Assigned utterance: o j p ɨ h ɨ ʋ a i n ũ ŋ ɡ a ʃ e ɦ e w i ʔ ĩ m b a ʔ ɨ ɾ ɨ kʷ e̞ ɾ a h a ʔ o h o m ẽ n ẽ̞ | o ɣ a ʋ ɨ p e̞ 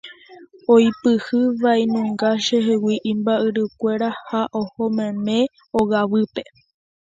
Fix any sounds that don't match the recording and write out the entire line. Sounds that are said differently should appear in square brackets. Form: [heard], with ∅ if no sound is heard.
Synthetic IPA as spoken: o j p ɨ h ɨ ʋ a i n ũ ŋ ɡ a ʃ e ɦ e w i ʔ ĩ m b a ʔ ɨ ɾ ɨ kʷ e̞ ɾ a h a ʔ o h o m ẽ [m] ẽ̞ | o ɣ a ʋ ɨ p e̞